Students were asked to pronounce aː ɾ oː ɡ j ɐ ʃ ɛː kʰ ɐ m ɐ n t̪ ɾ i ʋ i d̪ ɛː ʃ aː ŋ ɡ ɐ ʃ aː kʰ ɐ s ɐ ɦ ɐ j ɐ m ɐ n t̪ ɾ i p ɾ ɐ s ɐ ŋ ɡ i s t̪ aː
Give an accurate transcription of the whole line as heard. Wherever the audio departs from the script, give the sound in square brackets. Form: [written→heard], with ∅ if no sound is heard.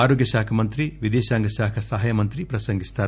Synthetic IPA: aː ɾ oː ɡ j ɐ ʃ [ɛː→aː] kʰ ɐ m ɐ n t̪ ɾ i ʋ i d̪ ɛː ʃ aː ŋ ɡ ɐ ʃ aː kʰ ɐ s ɐ ɦ ɐ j ɐ m ɐ n t̪ ɾ i p ɾ ɐ s ɐ ŋ ɡ i s t̪ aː